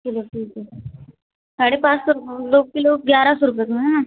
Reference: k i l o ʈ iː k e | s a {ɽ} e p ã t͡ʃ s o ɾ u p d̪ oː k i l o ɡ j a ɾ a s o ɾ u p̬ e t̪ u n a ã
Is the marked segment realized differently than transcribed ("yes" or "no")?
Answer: no